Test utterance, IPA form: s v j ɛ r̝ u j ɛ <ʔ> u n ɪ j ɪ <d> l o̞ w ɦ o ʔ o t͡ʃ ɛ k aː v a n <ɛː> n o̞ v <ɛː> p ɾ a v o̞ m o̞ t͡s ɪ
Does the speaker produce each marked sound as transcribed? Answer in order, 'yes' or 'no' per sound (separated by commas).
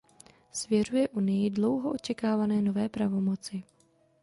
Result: yes, yes, yes, yes